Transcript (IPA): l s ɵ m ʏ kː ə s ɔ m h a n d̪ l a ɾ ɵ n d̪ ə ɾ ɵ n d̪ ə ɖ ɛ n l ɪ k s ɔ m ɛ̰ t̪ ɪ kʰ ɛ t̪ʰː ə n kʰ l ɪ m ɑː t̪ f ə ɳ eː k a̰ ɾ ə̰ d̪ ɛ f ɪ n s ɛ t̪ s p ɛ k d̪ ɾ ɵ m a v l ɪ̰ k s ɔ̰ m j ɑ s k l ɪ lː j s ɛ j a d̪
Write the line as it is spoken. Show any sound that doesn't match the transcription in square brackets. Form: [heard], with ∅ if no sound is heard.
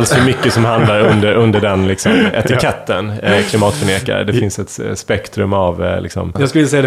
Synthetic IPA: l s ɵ m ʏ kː ə s ɔ m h a n d̪ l a ɾ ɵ n d̪ ə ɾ ɵ n d̪ ə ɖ ɛ n l ɪ k s ɔ m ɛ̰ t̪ ɪ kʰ ɛ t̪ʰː ə n kʰ l ɪ m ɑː t̪ f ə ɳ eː k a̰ ɾ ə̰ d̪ ɛ f ɪ n s ɛ t̪ s p ɛ k [t̪] ɾ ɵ m a v l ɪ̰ k s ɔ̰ m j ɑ s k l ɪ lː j s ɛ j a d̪